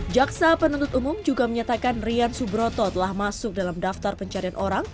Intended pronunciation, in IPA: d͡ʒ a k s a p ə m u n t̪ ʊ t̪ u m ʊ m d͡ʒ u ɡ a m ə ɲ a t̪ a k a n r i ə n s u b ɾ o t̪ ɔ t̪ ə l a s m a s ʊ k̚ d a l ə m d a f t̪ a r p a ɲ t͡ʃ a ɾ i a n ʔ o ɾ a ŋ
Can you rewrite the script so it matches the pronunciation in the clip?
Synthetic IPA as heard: d͡ʒ a k s a p ə n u n t̪ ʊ t̪ u m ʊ m d͡ʒ u ɡ a m ə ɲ a t̪ a k a n r i a n s u b ɾ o t̪ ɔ t̪ ə l a h m a s ʊ k̚ d a l a m d a f t̪ a r p ə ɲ t͡ʃ a ɾ i a n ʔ o ɾ a ŋ